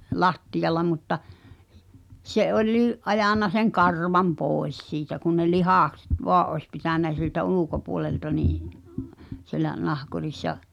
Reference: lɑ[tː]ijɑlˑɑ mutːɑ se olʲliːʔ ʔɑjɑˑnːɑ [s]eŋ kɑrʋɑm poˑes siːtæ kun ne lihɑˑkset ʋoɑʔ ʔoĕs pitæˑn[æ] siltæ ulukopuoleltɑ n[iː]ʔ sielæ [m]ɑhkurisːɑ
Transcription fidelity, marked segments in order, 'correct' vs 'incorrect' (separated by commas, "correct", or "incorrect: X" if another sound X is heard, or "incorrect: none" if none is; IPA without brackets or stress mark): correct, correct, correct, correct, incorrect: n